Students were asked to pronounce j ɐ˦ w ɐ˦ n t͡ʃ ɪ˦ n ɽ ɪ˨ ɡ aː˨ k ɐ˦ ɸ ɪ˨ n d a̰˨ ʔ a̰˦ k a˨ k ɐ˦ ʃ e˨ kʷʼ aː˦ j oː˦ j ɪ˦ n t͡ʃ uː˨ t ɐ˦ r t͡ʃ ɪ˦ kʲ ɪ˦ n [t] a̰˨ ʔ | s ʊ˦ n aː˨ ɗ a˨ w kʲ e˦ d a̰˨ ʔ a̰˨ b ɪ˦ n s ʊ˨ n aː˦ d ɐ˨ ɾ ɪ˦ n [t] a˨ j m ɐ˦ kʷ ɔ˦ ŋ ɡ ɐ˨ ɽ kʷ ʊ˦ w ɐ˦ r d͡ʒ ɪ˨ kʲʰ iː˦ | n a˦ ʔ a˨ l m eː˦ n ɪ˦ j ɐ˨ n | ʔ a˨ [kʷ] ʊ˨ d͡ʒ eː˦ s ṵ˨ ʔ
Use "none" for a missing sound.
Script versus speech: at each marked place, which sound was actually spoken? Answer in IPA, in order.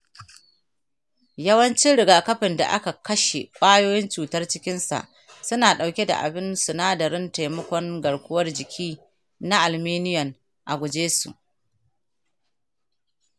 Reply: s, t, ɡʷ

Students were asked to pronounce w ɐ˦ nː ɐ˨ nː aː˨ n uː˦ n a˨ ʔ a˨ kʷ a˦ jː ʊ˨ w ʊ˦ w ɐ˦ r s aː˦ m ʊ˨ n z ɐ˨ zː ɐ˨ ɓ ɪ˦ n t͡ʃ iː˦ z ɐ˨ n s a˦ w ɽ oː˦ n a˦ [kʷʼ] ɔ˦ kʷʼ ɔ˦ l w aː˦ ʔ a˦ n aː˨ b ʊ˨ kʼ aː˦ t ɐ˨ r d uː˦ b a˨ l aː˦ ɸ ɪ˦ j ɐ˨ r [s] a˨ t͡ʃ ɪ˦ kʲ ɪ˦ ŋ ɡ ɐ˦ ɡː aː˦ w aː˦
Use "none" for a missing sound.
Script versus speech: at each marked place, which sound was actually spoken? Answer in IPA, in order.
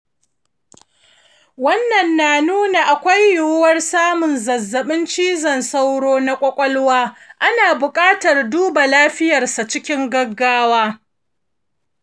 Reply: kʷʼ, s

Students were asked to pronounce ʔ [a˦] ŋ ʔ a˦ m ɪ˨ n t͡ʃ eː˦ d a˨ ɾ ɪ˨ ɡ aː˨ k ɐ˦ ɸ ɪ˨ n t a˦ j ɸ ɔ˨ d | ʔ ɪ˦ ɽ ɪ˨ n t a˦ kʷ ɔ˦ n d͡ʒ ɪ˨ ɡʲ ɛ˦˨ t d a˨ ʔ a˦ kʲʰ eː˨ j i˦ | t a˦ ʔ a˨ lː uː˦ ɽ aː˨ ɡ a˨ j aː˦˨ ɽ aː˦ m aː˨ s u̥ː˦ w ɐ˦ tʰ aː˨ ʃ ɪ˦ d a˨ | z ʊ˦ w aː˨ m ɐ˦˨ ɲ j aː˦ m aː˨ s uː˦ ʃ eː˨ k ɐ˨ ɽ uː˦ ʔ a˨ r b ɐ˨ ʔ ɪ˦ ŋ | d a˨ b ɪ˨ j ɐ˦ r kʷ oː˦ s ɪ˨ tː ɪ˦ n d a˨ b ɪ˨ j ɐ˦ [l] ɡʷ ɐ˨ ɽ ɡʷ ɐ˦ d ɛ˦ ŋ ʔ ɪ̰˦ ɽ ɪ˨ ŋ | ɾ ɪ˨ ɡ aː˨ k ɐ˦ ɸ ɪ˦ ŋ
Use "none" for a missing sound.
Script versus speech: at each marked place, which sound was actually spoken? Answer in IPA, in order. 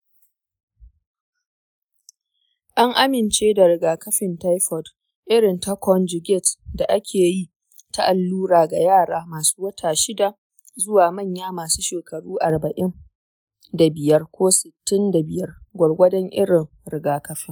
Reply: a˦, r

